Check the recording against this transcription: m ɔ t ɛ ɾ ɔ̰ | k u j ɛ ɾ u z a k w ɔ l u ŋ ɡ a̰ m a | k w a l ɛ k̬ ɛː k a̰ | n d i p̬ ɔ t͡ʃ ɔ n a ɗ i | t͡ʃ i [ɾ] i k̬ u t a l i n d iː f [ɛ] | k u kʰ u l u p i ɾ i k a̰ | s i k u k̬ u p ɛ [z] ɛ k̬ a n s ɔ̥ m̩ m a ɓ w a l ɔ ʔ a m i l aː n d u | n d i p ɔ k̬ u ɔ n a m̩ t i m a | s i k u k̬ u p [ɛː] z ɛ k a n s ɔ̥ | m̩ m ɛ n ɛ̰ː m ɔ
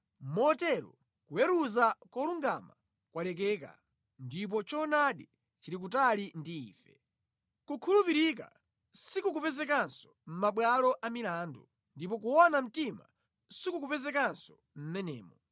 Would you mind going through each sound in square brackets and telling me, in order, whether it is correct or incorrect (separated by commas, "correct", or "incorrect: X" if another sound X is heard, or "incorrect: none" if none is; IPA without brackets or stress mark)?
correct, correct, correct, incorrect: ɛ